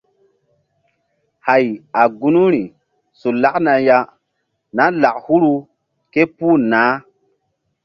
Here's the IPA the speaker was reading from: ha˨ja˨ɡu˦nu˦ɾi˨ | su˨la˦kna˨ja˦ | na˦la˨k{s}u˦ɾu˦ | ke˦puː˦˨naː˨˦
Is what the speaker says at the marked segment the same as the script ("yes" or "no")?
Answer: no